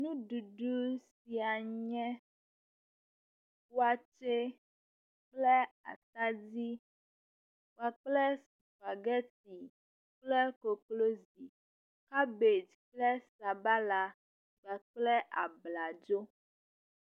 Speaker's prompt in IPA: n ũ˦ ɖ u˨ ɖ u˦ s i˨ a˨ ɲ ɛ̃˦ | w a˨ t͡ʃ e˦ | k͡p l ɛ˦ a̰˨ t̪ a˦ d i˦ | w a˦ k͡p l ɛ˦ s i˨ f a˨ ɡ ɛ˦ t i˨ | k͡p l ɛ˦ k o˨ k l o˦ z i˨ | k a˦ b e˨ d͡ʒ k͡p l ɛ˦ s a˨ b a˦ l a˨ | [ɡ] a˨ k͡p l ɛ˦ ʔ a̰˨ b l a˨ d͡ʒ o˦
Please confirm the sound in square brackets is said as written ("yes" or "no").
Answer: no